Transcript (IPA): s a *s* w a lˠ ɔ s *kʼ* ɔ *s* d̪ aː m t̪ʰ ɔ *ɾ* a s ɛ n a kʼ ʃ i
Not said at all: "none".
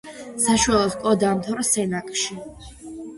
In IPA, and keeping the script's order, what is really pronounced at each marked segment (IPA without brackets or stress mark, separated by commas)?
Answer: ʃ, kʼ, none, ɾ